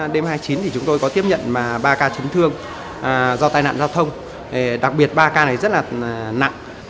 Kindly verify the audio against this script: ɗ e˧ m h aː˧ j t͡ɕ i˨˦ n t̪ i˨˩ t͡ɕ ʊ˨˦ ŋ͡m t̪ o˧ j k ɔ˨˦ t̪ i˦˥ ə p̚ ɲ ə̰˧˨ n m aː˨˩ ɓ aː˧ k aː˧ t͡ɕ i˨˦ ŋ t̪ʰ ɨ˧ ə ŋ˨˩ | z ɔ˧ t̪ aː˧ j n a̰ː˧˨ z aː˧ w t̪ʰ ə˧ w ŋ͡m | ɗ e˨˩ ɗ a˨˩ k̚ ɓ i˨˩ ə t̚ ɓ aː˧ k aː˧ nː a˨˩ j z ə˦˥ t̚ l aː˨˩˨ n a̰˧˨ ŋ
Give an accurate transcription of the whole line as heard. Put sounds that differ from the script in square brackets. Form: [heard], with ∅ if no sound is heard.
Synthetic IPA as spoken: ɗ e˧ m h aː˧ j t͡ɕ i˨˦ n t̪ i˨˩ t͡ɕ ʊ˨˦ ŋ͡m t̪ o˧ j k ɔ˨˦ t̪ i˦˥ ə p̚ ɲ ə̰˧˨ n m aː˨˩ ɓ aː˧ k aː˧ t͡ɕ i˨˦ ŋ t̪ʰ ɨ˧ ə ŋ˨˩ | z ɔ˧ t̪ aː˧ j n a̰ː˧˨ z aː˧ w t̪ʰ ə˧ w ŋ͡m | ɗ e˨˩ ɗ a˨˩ k̚ ɓ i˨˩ ə t̚ ɓ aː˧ k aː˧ [n] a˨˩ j z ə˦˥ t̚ l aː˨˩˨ n a̰˧˨ ŋ